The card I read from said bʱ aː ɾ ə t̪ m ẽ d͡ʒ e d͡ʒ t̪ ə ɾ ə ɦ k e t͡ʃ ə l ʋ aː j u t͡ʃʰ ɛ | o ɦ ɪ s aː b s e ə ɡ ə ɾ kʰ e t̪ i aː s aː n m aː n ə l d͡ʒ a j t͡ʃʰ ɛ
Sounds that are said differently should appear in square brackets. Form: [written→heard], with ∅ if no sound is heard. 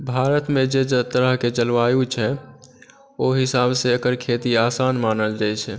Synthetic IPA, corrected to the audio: bʱ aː ɾ ə t̪ m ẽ d͡ʒ e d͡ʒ t̪ ə ɾ ə ɦ k e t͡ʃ ə l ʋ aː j u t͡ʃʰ ɛ | o ɦ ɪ s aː b s e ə [ɡ→k] ə ɾ kʰ e t̪ i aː s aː n m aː n ə l d͡ʒ a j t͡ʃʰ ɛ